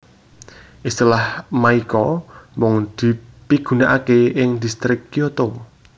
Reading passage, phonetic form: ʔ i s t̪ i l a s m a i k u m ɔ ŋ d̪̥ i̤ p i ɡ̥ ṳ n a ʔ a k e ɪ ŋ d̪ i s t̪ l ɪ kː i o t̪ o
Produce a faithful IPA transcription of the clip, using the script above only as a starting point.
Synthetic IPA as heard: ʔ i s t̪ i l a h m a i k ɔ m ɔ ŋ d̪̥ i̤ p i ɡ̥ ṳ n a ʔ a k e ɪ ŋ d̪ i s t̪ ɾ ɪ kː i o t̪ o